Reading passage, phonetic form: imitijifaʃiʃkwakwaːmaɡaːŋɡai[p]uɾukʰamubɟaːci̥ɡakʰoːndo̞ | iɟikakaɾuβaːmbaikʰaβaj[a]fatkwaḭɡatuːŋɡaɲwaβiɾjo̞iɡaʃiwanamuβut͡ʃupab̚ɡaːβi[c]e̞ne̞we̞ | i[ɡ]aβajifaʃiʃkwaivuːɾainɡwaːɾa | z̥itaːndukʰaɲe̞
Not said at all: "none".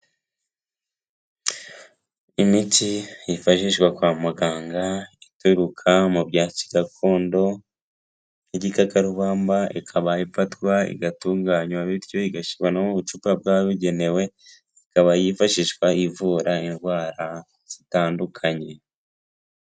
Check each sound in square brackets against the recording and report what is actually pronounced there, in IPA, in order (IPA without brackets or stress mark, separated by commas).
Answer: t, i, ɟ, k